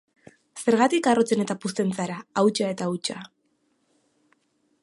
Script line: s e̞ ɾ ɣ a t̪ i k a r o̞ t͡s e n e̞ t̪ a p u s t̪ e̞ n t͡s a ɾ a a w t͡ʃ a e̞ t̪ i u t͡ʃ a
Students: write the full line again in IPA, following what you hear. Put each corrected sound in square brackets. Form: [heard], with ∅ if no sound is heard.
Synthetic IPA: s e̞ ɾ ɣ a t̪ i k a r o̞ t͡s e n e̞ t̪ a p u s t̪ e̞ n t͡s a ɾ a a w t͡ʃ a e̞ t̪ [a] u t͡ʃ a